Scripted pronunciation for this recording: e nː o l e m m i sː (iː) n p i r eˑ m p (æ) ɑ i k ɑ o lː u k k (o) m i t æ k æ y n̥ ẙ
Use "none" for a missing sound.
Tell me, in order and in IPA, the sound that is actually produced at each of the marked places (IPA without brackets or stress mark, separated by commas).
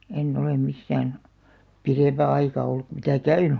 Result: æː, æ, u